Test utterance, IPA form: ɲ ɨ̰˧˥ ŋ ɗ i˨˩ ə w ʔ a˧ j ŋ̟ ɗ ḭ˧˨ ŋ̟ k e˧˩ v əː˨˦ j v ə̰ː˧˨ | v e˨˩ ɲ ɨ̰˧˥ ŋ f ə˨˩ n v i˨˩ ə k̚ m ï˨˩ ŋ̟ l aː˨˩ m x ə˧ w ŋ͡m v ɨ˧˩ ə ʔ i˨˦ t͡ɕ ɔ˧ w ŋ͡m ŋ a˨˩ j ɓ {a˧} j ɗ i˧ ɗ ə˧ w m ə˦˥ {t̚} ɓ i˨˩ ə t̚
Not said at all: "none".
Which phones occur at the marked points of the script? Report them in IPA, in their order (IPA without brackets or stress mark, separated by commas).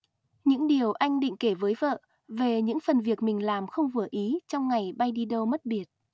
a˧, t̚